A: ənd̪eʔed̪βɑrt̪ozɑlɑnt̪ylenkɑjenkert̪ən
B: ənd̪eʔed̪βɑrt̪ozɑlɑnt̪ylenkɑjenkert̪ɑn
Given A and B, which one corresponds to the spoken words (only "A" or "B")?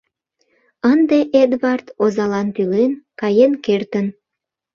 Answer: A